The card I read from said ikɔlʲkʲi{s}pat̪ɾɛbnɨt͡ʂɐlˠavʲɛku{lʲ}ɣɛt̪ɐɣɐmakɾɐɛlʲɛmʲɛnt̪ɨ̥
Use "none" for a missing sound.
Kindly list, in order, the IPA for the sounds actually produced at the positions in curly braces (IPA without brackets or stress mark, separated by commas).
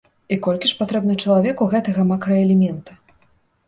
ʂ, none